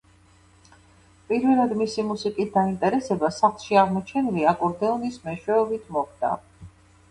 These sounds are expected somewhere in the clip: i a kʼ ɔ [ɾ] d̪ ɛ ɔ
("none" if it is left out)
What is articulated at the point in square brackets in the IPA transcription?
ɾ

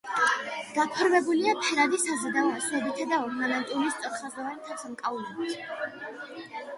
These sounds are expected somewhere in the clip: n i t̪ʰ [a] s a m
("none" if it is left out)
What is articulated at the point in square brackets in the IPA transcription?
a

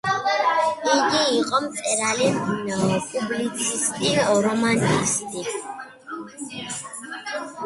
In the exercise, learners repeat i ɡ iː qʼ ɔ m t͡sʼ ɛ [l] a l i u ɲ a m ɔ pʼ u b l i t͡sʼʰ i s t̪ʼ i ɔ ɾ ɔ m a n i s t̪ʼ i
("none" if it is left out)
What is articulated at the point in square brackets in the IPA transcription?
ɾ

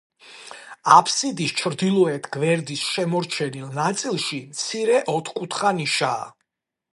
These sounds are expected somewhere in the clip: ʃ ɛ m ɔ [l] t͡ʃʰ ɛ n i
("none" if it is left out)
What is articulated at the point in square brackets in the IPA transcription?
ɾ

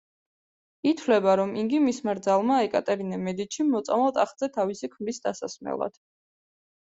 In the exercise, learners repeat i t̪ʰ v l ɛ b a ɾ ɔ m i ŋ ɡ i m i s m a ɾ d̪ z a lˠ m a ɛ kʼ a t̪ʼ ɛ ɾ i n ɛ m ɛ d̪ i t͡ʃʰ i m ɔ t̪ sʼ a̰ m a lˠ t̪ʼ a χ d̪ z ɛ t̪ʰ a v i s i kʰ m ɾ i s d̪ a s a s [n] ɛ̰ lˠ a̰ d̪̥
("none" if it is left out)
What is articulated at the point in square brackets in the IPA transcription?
m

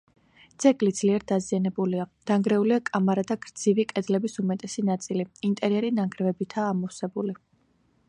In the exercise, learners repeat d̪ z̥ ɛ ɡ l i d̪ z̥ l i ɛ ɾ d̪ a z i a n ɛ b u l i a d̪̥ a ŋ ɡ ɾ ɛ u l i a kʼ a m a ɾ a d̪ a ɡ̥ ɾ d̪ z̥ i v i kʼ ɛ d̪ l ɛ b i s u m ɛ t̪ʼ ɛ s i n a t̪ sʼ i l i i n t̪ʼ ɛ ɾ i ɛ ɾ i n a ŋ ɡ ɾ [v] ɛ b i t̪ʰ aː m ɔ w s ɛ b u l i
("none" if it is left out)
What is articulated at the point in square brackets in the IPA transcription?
v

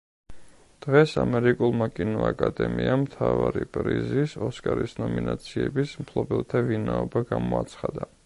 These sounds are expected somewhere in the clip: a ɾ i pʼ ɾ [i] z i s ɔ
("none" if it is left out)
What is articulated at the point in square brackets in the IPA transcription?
i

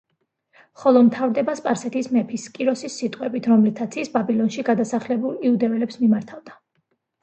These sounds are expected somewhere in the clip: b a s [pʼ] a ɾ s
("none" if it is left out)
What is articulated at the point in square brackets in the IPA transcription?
pʼ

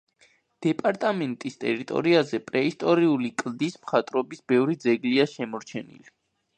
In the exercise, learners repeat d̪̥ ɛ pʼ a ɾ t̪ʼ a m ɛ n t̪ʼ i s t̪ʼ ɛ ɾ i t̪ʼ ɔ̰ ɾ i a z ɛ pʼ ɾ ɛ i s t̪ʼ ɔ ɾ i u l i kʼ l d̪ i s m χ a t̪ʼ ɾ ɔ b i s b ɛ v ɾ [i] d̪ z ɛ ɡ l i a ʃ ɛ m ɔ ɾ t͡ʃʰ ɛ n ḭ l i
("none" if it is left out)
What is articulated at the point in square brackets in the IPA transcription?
i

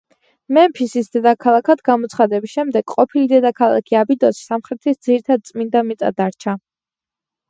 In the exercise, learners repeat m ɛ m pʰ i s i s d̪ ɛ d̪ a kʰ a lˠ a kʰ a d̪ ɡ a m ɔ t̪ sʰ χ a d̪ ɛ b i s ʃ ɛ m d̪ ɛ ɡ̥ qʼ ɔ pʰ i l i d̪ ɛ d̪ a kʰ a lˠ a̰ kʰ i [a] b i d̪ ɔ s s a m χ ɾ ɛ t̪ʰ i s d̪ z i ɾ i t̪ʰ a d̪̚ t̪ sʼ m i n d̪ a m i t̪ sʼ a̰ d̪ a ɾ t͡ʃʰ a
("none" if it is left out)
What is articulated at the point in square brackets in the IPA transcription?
a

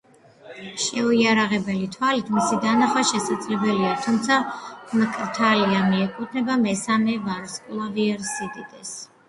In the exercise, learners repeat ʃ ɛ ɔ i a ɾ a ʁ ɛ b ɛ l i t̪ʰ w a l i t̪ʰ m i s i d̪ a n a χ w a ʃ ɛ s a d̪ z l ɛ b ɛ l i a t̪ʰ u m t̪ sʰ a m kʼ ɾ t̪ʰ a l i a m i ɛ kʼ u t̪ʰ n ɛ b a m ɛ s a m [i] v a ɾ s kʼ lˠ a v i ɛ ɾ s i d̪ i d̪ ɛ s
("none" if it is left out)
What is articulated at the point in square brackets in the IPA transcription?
ɛ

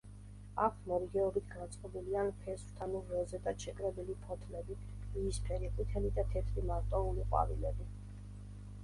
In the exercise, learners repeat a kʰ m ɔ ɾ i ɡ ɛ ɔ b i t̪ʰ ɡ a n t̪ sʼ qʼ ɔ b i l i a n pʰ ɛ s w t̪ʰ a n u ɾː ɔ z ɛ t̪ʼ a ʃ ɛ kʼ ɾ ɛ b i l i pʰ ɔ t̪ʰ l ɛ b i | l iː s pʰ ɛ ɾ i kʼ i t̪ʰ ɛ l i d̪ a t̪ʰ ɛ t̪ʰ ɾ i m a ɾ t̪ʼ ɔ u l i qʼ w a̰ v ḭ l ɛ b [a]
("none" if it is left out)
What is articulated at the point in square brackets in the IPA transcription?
i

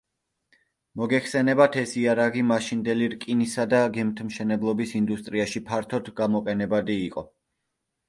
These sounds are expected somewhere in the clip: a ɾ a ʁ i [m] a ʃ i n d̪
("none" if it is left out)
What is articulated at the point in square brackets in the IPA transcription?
m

